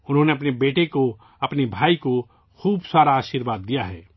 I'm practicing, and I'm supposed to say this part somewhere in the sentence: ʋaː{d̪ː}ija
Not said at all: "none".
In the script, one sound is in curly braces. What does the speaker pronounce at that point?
d̪ː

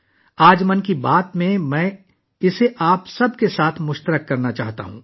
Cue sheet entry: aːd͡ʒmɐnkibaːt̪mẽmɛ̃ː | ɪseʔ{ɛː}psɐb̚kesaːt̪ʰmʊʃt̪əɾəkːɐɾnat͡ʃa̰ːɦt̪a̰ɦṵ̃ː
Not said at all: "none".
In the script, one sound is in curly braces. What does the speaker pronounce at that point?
aː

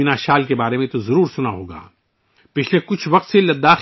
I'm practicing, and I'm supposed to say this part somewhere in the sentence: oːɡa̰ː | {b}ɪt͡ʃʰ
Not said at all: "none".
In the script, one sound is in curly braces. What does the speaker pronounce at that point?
p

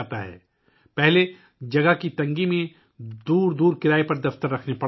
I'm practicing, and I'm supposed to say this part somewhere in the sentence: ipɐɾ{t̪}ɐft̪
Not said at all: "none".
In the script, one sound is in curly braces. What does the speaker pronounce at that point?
d̪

